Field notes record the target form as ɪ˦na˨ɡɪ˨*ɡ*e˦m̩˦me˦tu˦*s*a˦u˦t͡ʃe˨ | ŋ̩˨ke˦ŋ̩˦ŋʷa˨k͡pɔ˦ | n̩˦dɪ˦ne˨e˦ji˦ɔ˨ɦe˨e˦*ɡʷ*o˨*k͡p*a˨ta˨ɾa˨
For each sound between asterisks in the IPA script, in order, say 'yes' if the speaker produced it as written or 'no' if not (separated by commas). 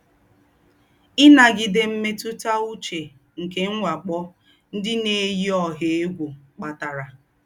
no, no, yes, yes